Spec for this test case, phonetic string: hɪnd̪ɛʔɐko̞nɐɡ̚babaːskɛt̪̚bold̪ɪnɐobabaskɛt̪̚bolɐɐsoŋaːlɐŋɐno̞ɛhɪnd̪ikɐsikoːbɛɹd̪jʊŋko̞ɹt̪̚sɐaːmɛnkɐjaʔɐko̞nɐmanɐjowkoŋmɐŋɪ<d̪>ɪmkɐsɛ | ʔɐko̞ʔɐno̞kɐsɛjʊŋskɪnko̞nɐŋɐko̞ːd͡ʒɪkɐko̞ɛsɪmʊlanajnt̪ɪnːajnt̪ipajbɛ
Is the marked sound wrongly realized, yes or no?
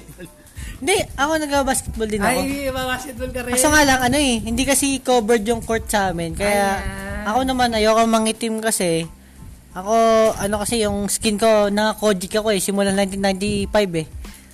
yes